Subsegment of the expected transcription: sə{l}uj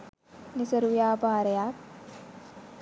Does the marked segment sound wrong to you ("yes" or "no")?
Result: yes